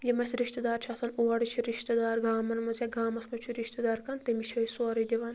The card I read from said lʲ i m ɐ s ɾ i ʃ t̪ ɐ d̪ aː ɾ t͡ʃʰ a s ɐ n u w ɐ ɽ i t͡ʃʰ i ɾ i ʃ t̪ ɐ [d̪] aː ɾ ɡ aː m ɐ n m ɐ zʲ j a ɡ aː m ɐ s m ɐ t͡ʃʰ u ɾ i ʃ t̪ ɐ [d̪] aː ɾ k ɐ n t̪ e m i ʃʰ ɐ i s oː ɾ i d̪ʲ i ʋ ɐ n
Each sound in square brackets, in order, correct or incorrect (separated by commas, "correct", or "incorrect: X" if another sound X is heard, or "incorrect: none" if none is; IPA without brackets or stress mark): correct, correct